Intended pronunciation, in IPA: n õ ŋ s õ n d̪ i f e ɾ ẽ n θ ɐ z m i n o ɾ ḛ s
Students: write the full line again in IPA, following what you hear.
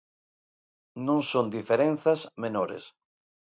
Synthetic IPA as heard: n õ ŋ s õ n d̪ i f e ɾ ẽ n θ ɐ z m e n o ɾ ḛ s

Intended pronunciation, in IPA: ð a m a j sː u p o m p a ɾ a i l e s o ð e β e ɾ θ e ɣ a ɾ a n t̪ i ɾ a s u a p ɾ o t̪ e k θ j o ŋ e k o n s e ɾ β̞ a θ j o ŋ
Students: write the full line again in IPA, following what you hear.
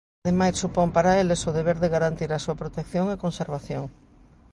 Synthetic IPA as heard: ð e m a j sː u p o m p a ɾ a e l e s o ð e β e ɾ ð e ɣ a ɾ a n t̪ i ɾ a s u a p ɾ o t̪ e k θ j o ŋ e k o n s e ɾ β̞ a θ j o ŋ

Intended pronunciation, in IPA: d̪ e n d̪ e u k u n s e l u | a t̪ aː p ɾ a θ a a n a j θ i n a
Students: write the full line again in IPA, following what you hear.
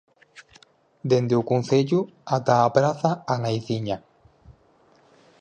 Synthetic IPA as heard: d̪ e n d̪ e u k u n θ e ʎ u | a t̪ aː p ɾ a θ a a n a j θ i ɲ a

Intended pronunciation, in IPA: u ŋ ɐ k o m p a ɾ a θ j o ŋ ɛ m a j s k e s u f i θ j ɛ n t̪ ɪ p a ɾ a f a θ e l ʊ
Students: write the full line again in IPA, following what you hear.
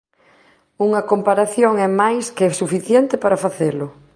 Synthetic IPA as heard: u ŋ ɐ k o m p a ɾ a θ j o ŋ ɛ m a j s k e s u f i θ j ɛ n t̪ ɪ p a ɾ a f a θ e l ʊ

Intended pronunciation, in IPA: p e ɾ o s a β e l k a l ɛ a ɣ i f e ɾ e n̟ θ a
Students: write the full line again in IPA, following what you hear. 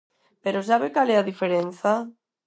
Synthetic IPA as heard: p e ɾ o s a β e k a l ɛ a ð i f e ɾ e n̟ θ a

